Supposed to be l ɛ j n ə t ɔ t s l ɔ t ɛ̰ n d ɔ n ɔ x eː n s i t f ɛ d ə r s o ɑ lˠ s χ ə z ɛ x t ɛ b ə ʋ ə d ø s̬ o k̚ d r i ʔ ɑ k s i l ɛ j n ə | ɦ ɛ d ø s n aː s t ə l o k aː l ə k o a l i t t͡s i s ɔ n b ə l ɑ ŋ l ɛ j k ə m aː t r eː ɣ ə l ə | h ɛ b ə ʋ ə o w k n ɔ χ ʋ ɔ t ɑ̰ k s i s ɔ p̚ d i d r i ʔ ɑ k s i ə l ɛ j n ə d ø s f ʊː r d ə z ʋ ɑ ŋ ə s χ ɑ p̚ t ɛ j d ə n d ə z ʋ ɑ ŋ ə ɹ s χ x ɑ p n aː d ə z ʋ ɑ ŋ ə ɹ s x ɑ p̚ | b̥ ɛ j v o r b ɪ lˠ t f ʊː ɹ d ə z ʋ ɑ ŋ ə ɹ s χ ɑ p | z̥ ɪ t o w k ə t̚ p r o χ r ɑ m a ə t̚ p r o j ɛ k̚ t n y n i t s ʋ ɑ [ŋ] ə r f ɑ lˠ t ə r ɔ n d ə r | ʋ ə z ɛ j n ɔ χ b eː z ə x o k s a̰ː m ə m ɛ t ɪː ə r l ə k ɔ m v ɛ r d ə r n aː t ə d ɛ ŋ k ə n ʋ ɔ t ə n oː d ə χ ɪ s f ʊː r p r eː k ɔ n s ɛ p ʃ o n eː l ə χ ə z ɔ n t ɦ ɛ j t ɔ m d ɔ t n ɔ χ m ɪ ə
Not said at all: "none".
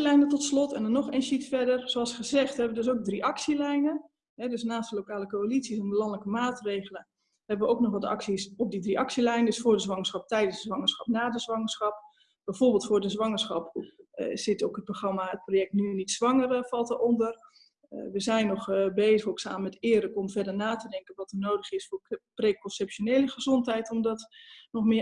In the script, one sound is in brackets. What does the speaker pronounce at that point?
ŋ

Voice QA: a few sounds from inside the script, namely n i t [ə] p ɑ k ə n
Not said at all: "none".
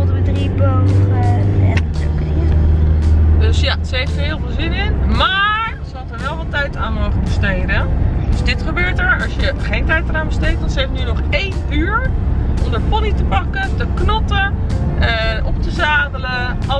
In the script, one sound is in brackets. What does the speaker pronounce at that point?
ə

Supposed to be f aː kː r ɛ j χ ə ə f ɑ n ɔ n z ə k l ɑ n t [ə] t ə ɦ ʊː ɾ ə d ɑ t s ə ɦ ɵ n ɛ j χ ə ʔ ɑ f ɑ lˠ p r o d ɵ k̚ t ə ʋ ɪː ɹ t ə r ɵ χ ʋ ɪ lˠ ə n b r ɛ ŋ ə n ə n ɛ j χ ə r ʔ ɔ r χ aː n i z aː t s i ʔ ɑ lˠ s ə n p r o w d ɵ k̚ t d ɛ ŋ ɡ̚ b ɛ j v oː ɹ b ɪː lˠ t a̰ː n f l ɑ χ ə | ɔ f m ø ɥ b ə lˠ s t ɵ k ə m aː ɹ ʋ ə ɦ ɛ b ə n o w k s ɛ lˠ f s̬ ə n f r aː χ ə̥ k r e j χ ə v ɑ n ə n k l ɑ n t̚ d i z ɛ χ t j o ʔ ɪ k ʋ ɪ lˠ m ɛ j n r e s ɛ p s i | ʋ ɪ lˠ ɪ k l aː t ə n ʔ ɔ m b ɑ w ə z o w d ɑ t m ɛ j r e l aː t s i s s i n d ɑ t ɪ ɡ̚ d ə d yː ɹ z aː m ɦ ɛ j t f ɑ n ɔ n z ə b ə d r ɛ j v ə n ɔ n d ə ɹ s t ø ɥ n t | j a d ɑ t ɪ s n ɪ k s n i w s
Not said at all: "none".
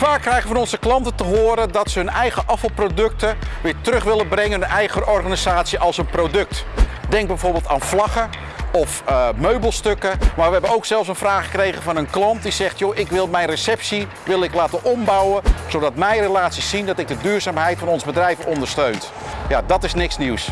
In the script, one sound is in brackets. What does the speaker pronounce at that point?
ə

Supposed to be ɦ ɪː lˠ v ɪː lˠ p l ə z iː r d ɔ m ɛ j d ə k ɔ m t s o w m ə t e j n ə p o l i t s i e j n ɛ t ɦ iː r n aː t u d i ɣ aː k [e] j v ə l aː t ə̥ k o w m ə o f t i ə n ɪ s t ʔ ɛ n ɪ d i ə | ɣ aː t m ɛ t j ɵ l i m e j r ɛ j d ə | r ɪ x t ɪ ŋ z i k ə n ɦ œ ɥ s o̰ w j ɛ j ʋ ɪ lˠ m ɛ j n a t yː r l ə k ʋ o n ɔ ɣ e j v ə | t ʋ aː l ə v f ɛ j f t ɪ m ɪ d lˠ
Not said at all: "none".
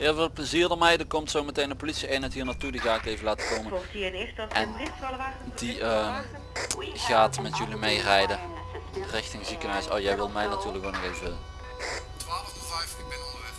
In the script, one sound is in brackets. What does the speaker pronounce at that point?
e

